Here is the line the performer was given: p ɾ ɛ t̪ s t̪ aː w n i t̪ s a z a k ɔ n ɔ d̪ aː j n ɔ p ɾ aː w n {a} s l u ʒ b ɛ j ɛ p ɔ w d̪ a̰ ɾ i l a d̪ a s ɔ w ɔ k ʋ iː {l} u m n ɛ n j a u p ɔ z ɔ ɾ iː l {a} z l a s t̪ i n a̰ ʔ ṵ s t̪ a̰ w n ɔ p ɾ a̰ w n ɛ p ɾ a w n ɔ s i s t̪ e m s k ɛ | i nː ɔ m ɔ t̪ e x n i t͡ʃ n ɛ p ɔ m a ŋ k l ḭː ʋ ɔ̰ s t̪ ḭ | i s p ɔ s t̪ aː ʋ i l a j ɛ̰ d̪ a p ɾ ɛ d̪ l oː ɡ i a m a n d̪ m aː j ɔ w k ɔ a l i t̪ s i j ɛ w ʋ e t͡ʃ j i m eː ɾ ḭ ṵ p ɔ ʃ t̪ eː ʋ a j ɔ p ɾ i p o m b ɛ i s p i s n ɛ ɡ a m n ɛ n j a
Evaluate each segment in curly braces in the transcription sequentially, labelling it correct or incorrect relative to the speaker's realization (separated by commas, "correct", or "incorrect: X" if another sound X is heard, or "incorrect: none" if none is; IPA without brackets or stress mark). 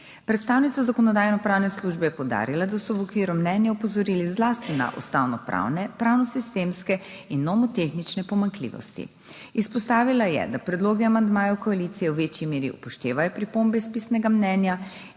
incorrect: ɛ, incorrect: ɾ, incorrect: i